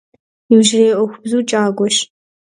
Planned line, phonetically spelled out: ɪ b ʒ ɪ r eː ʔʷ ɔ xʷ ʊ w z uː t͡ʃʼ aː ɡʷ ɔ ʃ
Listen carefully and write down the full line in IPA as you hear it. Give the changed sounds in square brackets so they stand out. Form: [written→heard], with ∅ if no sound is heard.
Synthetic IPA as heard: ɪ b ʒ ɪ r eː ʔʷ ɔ xʷ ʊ [w→b] z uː t͡ʃʼ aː ɡʷ ɔ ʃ